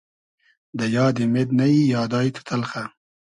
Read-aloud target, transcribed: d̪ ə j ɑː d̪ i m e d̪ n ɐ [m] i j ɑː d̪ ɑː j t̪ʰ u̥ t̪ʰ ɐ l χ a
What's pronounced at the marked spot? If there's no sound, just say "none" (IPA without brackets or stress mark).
none